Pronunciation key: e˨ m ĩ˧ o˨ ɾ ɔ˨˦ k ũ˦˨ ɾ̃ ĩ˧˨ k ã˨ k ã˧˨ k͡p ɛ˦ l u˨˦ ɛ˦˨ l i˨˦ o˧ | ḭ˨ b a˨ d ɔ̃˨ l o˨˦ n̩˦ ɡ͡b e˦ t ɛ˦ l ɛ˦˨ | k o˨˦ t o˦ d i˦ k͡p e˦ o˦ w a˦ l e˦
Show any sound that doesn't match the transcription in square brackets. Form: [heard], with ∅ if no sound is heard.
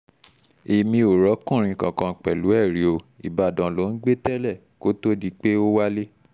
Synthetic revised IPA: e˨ m ĩ˧ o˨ ɾ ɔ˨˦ k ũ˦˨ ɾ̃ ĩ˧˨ k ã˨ k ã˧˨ k͡p [ɛ˨] l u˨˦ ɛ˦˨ [ɾ] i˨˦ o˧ | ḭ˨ b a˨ d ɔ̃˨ l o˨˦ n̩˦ ɡ͡b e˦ t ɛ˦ l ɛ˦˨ | k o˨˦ t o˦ d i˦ k͡p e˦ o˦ w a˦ l e˦